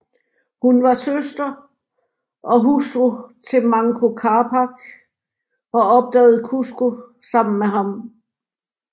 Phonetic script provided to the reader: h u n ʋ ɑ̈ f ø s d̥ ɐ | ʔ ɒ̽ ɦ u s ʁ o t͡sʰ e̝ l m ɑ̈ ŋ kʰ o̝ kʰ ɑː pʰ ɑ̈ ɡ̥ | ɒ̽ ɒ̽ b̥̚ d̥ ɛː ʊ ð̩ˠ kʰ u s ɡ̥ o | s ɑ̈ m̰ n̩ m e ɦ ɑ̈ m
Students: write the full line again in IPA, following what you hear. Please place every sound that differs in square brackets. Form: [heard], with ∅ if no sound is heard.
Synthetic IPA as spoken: h u n ʋ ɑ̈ [s] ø s d̥ ɐ | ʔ ɒ̽ ɦ u s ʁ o t͡sʰ e̝ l m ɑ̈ ŋ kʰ o̝ kʰ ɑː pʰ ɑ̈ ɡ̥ | ɒ̽ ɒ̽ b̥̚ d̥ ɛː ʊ ð̩ˠ kʰ u s ɡ̥ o | s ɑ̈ m̰ n̩ m e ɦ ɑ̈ m